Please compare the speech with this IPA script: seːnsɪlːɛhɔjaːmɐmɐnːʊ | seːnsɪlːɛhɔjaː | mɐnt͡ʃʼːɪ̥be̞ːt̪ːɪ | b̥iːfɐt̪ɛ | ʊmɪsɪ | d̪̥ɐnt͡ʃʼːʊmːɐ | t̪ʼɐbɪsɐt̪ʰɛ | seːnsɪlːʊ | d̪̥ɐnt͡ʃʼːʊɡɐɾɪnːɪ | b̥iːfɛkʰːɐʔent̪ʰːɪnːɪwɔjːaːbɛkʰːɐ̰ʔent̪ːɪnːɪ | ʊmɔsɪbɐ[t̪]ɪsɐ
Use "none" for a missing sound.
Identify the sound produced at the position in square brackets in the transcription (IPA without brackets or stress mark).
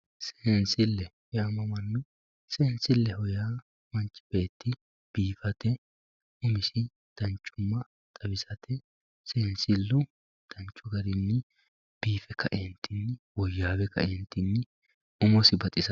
t̪ʼ